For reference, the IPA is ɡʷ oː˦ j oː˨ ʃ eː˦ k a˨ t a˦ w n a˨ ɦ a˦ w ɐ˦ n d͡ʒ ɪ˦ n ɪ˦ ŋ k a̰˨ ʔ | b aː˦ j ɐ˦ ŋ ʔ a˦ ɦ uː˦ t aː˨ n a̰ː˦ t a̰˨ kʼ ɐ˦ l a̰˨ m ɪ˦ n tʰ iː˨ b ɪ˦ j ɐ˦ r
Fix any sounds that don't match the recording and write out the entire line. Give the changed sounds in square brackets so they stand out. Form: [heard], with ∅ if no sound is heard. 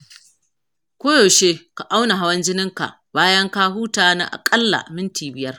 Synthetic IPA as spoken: [kʷ] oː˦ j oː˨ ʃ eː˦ k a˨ [ʔ] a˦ w n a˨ ɦ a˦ w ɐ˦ n d͡ʒ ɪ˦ n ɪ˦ ŋ k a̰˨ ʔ | b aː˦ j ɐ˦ ŋ [k] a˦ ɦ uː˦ t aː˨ n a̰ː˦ [ʔ] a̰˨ kʼ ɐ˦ [lː] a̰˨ m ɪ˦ n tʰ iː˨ b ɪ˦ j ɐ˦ r